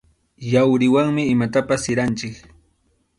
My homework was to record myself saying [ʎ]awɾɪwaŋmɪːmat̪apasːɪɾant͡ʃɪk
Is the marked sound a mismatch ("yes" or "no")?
yes